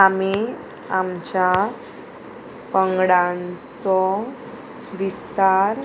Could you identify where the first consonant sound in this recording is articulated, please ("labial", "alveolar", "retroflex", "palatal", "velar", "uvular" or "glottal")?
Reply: labial